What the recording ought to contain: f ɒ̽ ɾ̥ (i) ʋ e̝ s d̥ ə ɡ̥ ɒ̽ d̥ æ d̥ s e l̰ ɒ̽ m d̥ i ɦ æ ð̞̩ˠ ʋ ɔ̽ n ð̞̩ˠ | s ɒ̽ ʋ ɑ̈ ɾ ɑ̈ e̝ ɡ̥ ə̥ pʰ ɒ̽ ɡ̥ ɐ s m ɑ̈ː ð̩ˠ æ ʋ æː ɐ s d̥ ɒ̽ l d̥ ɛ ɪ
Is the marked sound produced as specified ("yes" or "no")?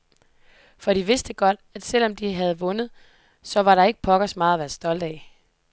yes